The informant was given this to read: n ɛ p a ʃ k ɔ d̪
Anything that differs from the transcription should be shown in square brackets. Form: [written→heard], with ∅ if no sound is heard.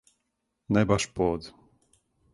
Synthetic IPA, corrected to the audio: n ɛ [p→b] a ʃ [k→p] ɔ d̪